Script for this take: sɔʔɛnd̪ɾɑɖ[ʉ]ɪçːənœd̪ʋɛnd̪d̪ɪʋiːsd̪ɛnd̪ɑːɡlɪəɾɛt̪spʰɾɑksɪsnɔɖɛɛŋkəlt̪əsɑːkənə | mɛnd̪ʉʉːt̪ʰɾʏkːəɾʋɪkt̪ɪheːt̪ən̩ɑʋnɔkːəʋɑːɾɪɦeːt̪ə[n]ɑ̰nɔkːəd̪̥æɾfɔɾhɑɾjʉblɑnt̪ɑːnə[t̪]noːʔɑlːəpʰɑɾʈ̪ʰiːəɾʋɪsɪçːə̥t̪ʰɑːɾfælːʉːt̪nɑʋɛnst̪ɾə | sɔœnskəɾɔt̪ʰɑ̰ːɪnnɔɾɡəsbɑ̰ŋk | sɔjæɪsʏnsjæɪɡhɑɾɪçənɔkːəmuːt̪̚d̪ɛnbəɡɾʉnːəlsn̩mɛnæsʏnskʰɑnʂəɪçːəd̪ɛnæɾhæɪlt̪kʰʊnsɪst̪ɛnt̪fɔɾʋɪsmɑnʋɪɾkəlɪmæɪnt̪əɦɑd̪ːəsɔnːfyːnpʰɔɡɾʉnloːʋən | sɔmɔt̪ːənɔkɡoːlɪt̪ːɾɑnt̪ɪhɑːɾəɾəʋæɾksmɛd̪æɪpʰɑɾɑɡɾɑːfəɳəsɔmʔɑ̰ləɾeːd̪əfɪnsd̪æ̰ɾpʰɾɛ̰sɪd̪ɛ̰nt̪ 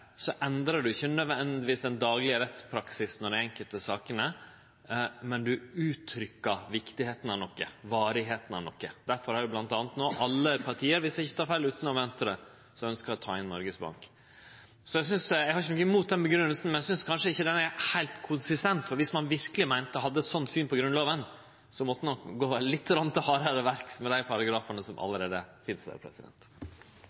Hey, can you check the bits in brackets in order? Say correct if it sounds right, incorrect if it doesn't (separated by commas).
correct, correct, correct